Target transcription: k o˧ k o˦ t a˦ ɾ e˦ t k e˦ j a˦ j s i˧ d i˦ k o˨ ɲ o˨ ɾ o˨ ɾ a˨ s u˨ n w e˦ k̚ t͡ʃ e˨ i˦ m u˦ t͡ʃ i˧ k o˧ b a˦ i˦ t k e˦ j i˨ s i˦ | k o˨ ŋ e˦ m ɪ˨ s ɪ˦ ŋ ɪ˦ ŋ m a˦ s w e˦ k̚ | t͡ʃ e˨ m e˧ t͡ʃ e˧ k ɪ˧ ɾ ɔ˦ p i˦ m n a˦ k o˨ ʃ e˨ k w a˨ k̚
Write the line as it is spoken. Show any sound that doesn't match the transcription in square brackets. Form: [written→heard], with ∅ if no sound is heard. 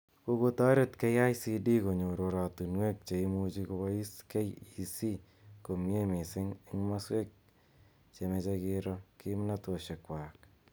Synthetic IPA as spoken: k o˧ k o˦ t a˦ ɾ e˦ t k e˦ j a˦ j s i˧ d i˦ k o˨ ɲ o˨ ɾ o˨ ɾ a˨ [s→t] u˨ n w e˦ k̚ t͡ʃ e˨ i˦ m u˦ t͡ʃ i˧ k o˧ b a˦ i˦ [t→s] k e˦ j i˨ s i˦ | k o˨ [ŋ→m] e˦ m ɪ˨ s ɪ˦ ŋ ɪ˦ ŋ m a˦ s w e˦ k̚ | t͡ʃ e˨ m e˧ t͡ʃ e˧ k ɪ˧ ɾ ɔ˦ [p→k] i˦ m n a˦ [k→t] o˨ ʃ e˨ k w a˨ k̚